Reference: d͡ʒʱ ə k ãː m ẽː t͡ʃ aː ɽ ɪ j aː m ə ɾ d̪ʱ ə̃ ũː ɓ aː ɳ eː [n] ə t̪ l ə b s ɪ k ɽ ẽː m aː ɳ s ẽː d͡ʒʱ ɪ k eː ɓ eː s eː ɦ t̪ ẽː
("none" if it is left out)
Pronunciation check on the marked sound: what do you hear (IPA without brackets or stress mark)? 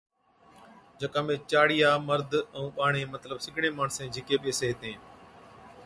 m